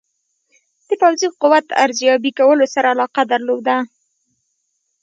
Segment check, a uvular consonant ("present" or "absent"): present